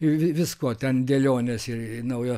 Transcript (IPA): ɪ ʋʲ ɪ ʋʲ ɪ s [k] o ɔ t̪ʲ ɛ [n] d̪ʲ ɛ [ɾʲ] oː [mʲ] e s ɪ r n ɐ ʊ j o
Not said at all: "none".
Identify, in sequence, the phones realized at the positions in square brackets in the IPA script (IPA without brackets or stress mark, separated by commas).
k, n, lʲ, nʲ